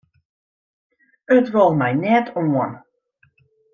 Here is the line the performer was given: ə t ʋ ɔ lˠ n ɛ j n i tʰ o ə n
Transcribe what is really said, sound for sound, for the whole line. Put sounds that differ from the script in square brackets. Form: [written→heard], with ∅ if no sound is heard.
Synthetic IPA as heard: ə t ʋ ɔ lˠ [n→m] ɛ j n [i→ɛ] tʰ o ə n